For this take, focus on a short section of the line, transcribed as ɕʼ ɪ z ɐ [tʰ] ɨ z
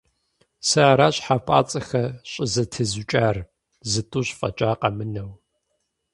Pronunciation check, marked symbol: correct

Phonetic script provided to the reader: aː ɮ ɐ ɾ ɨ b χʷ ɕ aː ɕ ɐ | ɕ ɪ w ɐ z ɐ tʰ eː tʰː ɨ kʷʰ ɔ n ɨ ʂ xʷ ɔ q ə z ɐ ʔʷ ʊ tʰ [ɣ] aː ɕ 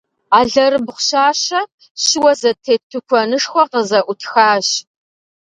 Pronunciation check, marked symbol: incorrect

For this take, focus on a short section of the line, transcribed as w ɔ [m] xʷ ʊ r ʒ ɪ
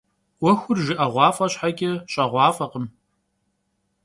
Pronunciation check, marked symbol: incorrect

